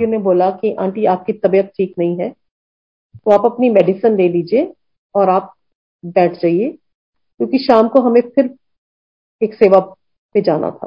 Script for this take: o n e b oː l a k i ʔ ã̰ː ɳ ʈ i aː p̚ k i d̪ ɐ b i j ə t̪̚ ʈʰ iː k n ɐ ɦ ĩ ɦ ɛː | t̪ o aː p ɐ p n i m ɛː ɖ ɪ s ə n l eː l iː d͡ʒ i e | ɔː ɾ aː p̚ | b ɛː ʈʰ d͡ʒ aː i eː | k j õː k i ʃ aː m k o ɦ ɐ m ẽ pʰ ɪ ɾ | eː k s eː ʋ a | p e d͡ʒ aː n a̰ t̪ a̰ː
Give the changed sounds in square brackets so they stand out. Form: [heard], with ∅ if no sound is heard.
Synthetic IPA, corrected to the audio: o n e b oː l a k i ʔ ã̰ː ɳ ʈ i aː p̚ k i [t̪] ɐ b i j ə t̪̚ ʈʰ iː k n ɐ ɦ ĩ ɦ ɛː | t̪ o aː p ɐ p n i m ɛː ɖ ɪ s ə n l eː l iː d͡ʒ i e | ɔː ɾ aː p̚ | b ɛː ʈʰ d͡ʒ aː i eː | k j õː k i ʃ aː m k o ɦ ɐ m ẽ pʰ ɪ ɾ | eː k s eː ʋ a | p e d͡ʒ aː n a̰ [t̪ʰ] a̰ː